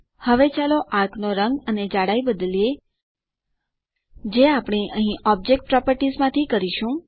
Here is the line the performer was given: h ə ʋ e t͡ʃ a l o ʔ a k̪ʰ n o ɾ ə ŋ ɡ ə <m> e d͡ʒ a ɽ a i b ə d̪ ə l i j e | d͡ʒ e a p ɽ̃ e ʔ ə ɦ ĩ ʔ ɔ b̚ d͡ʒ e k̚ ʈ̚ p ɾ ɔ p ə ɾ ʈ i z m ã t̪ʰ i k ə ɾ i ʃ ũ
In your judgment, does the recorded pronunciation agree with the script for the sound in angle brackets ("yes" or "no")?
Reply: no